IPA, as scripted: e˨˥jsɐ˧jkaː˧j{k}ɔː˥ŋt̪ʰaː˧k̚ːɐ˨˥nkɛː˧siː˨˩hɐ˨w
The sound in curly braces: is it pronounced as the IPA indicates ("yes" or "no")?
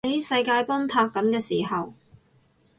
no